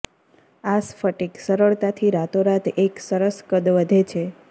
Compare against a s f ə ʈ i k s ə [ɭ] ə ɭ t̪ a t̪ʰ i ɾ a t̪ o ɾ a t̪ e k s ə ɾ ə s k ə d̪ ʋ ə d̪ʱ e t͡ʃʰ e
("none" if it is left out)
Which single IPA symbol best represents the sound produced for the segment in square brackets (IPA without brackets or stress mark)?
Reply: ɾ